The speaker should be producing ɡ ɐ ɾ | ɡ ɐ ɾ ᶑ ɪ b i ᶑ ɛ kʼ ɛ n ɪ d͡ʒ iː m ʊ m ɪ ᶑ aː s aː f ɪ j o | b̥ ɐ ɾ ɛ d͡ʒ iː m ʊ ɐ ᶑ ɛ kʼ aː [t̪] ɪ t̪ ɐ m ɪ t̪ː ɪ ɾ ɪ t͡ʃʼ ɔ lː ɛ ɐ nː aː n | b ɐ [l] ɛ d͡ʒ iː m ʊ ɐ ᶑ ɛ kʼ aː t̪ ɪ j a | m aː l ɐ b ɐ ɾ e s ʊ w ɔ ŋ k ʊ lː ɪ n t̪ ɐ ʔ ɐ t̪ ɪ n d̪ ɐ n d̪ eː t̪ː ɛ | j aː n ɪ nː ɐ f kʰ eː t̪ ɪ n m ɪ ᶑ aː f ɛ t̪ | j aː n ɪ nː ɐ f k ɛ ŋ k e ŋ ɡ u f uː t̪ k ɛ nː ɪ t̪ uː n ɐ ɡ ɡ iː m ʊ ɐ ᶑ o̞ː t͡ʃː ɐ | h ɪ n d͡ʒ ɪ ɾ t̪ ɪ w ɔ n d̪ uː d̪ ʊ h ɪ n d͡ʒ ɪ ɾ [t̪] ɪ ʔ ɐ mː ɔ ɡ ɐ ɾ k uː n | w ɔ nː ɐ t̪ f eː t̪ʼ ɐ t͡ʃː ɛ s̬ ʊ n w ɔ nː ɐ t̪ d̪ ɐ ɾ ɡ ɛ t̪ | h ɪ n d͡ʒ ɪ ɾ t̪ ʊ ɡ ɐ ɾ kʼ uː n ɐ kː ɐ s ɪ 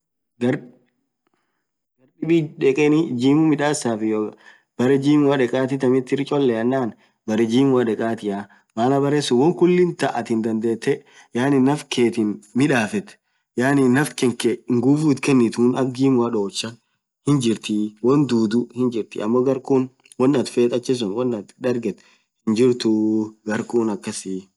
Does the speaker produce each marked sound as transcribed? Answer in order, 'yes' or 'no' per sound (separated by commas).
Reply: yes, no, yes